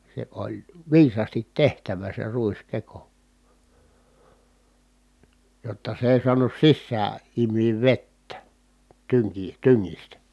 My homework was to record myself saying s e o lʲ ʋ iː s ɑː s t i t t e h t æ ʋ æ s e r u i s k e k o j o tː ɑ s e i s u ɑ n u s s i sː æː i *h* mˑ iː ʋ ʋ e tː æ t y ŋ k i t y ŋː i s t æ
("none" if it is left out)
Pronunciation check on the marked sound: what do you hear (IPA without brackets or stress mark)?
none